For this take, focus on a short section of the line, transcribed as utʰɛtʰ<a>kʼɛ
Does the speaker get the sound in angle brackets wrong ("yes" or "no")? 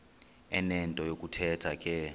no